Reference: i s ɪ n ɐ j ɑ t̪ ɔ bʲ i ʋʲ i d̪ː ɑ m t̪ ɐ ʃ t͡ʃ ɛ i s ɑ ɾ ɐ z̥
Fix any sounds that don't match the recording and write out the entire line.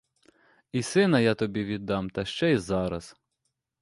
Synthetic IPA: i s ɪ n ɐ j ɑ t̪ ɔ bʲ i ʋʲ i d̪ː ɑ m t̪ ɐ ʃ t͡ʃ ɛ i z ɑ ɾ ɐ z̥